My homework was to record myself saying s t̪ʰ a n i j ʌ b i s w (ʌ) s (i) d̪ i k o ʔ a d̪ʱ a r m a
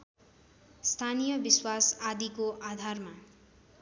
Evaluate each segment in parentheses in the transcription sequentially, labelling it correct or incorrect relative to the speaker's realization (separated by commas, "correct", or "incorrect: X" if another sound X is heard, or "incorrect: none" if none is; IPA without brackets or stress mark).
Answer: incorrect: a, incorrect: a